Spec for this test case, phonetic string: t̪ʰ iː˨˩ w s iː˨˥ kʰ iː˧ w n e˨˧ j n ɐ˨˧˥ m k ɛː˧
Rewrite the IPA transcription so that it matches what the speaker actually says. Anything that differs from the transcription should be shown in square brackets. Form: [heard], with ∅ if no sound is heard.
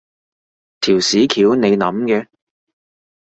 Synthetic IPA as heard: t̪ʰ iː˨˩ w s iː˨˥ kʰ [iː˨˥] w n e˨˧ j n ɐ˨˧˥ m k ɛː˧